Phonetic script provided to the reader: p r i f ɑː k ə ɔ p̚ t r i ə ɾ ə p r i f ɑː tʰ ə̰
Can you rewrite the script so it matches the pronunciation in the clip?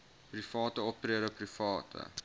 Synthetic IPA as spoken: p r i f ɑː t ə ɔ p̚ t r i ə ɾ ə p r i f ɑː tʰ ə̰